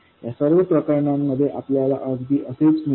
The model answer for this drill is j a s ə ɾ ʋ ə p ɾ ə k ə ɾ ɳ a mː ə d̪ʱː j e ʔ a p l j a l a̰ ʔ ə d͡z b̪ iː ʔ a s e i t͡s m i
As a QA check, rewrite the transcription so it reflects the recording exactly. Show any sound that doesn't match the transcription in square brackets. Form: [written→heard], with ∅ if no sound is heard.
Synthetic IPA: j a s ə ɾ ʋ ə p ɾ ə k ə ɾ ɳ a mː ə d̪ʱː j e ʔ a p l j a l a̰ ʔ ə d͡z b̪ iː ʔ [a→ə] s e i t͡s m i